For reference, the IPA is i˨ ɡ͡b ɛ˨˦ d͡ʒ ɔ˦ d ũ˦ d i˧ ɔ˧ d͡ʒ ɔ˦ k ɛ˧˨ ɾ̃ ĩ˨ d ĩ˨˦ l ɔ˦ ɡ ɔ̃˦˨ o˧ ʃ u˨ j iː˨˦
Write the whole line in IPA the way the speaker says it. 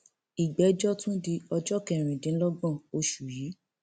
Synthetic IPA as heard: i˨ ɡ͡b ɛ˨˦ d͡ʒ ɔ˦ t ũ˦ d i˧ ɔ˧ d͡ʒ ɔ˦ k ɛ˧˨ ɾ̃ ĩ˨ d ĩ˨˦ l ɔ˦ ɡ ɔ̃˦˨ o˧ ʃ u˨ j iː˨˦